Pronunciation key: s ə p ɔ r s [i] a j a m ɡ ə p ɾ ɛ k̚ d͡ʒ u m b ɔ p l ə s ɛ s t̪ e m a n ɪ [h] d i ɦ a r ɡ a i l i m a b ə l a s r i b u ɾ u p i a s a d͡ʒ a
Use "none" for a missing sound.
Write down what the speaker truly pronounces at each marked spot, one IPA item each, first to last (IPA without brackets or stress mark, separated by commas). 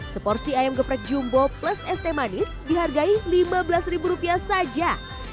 i, s